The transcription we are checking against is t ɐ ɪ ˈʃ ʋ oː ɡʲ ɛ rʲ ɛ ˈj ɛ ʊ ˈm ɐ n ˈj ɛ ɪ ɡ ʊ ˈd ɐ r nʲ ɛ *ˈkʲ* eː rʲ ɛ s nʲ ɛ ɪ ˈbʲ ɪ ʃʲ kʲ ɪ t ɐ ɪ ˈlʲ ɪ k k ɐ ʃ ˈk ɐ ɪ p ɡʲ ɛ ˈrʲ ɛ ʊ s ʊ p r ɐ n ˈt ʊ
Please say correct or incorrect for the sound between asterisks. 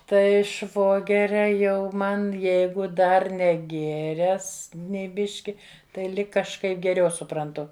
incorrect